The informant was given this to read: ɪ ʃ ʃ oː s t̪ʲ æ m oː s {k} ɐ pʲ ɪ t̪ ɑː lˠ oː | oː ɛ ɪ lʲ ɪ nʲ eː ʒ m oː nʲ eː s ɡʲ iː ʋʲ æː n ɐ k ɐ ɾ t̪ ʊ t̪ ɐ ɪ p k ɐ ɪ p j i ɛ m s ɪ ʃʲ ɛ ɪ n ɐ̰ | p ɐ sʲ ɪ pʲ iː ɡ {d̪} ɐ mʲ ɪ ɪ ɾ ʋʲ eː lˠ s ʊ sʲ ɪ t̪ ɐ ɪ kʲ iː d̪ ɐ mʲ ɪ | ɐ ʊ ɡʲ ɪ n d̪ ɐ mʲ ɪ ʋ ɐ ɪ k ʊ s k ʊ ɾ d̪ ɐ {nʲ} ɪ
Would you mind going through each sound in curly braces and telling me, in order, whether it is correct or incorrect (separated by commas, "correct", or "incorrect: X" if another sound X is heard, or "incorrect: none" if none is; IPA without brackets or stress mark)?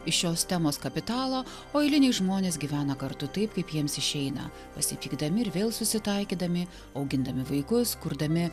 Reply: correct, correct, incorrect: mʲ